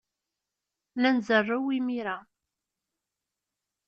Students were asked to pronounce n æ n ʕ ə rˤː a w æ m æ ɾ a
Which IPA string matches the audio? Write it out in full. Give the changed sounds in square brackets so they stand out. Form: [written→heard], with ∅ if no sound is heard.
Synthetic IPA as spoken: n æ n [ʕ→z] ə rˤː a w [æ→i] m [æ→i] ɾ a